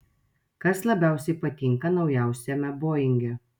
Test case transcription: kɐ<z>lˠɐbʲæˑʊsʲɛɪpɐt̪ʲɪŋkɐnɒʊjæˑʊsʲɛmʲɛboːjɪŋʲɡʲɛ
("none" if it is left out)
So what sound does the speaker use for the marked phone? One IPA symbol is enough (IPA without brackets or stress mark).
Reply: s